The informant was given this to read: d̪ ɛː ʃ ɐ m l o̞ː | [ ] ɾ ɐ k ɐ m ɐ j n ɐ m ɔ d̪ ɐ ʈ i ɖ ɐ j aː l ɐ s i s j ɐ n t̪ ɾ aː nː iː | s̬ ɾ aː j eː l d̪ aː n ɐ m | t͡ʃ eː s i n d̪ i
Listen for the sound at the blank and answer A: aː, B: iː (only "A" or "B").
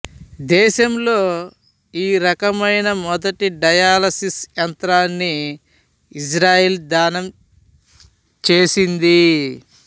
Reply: B